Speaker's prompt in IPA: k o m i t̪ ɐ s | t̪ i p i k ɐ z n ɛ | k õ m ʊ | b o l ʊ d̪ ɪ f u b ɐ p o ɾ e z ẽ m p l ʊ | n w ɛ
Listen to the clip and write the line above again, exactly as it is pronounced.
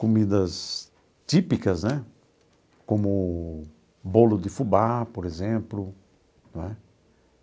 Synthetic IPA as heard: k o m i d̪ ɐ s | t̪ i p i k ɐ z n ɛ | k õ m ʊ | b o l ʊ d̪ ɪ f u b a p o ɾ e z ẽ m p l ʊ | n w ɛ